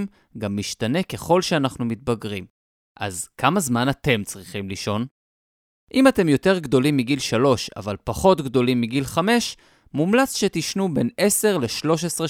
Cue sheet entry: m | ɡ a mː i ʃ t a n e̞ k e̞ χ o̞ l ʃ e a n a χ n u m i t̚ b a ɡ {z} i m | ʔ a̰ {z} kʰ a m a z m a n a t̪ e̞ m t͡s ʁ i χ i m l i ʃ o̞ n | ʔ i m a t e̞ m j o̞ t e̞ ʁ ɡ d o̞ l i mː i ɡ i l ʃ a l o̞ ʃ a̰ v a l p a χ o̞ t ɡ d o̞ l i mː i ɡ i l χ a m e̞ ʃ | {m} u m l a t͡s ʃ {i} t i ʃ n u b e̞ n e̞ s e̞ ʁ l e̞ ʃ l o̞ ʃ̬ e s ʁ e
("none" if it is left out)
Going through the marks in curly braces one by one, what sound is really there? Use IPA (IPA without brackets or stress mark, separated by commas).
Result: ʁ, z, m, e